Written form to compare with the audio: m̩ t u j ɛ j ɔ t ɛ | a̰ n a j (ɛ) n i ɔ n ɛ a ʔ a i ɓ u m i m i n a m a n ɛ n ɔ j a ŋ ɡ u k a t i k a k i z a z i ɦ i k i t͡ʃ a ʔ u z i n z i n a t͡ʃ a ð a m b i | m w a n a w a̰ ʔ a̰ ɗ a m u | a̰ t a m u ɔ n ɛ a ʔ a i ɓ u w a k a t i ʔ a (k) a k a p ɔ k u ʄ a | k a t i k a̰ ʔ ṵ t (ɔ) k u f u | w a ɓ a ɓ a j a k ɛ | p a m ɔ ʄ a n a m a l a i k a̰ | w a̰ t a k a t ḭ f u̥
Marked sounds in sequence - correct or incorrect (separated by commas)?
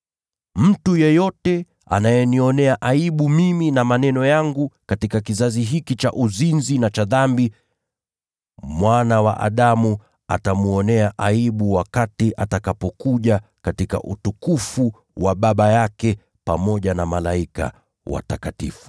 correct, incorrect, incorrect